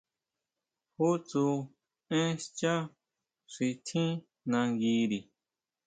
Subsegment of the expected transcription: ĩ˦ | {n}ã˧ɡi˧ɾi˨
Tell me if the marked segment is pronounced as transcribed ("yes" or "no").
yes